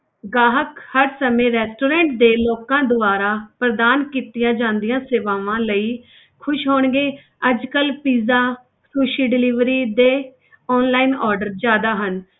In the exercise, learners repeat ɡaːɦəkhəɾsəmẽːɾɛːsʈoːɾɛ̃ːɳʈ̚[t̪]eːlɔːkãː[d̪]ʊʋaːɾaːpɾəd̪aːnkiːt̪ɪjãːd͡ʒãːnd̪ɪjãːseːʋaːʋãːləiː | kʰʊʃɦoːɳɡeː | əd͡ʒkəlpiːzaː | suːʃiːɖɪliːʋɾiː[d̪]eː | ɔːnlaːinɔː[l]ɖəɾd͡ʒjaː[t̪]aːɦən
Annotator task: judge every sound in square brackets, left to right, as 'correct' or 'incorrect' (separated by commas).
incorrect, correct, correct, incorrect, incorrect